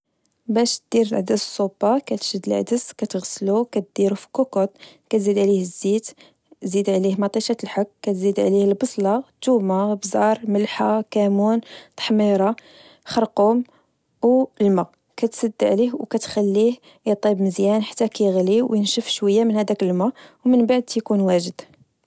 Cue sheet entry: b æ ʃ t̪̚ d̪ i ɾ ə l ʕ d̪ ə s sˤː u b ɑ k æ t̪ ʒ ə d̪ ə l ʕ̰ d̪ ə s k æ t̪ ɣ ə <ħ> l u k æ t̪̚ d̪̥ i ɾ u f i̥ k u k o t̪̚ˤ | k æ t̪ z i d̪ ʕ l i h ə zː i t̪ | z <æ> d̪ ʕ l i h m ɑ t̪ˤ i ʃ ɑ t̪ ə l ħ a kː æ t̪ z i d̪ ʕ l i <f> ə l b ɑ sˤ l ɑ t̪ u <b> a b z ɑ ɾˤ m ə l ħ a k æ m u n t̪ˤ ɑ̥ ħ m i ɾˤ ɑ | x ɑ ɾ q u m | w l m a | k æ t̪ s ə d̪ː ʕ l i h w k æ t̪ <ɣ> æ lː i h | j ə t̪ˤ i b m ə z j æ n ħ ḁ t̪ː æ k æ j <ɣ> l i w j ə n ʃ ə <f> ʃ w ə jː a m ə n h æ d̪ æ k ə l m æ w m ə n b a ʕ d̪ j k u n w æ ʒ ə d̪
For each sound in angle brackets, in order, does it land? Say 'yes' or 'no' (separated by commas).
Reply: no, no, no, no, no, yes, yes